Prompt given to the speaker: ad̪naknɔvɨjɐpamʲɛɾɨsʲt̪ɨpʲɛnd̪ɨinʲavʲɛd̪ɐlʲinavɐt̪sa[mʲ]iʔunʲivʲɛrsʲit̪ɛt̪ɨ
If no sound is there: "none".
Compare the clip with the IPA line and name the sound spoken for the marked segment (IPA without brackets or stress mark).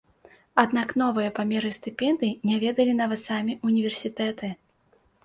mʲ